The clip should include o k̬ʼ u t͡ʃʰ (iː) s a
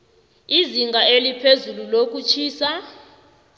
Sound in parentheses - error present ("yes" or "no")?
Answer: no